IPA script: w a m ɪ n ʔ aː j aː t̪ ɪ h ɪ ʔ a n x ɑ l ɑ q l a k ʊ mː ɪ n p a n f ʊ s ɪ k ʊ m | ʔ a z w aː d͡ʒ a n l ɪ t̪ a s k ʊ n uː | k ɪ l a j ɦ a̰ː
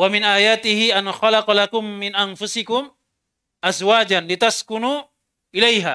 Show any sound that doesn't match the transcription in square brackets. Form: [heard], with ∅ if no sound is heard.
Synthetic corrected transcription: w a m ɪ n ʔ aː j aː t̪ ɪ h ɪ ʔ a n x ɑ l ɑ q l a k ʊ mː ɪ n [ʔ] a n f ʊ s ɪ k ʊ m | ʔ a z w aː d͡ʒ a n l ɪ t̪ a s k ʊ n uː | [ʔ] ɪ l a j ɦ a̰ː